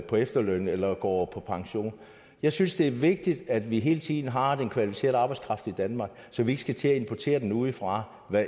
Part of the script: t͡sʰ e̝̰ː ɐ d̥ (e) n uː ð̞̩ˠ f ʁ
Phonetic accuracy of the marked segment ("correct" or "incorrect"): correct